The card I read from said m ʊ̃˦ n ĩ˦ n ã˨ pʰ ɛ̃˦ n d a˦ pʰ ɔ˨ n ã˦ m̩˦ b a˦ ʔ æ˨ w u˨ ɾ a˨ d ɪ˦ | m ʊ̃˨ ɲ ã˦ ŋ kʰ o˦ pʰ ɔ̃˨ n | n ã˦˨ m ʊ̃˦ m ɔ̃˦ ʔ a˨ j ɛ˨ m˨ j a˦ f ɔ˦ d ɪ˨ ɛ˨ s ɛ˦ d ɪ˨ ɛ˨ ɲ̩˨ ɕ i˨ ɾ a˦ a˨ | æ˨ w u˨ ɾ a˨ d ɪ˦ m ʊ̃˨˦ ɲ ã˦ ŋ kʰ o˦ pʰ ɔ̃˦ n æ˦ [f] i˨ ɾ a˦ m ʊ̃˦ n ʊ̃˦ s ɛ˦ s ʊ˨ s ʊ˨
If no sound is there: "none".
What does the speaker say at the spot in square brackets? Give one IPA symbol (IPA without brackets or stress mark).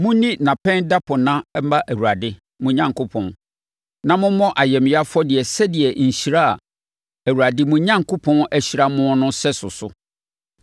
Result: ɕ